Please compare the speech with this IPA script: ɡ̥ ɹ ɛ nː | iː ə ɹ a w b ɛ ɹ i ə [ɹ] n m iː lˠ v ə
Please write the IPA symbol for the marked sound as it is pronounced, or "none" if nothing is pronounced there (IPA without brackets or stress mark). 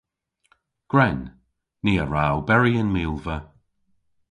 none